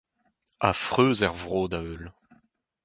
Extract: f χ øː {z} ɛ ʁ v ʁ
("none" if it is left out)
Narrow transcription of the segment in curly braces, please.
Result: z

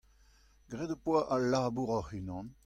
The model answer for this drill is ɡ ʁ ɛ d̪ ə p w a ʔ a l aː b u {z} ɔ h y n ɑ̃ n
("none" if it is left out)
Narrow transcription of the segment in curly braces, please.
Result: ʁ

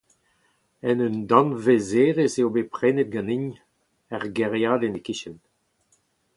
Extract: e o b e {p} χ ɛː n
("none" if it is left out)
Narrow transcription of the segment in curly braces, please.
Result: p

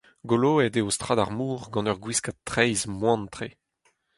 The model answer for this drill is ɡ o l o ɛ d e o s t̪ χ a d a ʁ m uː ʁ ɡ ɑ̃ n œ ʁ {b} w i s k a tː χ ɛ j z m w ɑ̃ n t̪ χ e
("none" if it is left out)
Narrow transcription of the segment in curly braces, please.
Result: ɡ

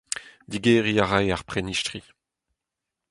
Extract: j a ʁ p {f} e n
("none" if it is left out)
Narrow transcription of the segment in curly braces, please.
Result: χ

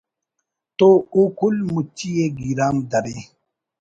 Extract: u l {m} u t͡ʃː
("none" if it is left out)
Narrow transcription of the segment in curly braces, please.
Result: m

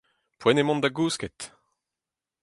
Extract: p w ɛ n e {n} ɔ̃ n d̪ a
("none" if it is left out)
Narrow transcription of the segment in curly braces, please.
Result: m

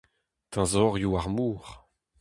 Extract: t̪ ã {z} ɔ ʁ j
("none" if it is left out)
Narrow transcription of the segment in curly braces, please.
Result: z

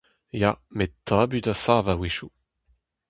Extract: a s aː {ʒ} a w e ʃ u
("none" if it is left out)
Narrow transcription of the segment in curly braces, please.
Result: v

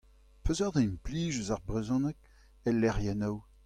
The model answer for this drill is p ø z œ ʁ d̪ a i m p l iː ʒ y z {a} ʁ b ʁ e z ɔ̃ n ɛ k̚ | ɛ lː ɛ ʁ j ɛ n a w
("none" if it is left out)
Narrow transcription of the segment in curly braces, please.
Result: a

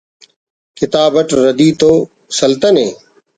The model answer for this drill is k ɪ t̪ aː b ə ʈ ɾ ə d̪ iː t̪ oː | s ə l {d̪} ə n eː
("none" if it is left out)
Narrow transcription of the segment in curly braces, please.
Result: t̪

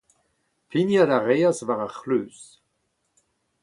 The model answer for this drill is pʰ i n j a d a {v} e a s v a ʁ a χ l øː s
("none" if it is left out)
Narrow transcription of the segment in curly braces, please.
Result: ʁ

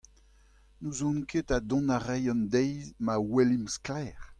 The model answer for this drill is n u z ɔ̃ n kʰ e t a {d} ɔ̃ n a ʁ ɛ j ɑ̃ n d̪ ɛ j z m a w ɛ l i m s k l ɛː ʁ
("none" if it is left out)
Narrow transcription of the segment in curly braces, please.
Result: d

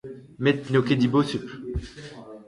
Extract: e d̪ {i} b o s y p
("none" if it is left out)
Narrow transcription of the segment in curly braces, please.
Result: i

